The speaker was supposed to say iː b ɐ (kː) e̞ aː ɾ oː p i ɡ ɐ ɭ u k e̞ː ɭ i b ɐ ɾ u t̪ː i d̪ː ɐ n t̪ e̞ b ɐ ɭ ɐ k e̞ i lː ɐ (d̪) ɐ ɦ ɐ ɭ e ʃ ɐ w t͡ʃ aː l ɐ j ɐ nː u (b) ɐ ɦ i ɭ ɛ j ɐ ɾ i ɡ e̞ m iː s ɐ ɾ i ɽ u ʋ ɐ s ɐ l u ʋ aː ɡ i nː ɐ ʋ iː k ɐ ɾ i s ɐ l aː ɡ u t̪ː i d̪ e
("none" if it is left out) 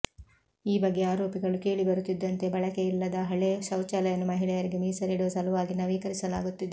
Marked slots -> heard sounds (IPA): ɡː, d̪, m

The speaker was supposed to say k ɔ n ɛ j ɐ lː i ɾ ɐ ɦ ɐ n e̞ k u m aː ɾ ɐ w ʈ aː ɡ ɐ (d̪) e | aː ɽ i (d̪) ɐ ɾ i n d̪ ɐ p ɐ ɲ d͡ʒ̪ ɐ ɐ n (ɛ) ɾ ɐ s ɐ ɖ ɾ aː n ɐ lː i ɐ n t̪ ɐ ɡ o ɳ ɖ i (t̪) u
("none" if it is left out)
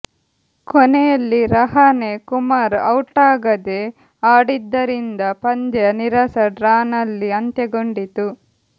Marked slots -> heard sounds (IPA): d̪, d̪ː, i, t̪

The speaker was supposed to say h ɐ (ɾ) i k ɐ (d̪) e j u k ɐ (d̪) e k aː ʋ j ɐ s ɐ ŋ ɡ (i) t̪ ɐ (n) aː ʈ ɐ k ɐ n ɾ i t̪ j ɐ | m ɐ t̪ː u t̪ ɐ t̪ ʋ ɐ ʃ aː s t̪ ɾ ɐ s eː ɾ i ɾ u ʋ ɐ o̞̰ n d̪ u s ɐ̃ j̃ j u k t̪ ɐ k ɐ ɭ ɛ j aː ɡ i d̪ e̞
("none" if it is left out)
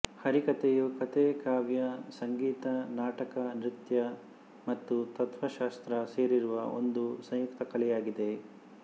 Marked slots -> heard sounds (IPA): ɾ, t̪, t̪, iː, n

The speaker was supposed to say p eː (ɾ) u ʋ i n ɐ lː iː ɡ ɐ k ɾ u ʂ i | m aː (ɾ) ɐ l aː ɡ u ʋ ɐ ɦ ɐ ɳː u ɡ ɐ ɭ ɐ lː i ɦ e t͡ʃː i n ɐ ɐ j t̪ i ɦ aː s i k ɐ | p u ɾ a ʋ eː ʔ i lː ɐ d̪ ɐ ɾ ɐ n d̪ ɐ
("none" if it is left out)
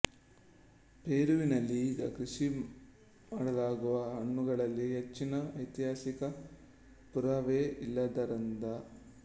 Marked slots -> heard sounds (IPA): ɾ, ɽ

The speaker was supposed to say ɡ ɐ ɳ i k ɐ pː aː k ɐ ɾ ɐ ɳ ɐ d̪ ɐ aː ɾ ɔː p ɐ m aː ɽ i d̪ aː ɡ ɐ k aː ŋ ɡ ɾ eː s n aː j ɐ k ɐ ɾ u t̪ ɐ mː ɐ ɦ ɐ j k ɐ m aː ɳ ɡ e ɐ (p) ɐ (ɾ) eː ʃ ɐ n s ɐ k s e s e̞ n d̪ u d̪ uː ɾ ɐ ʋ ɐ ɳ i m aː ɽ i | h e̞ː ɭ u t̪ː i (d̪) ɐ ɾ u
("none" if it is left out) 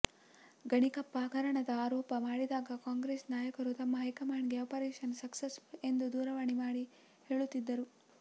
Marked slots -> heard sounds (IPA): p, ɾ, d̪ː

